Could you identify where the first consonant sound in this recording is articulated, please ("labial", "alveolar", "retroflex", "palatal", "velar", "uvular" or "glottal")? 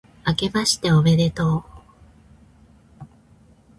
velar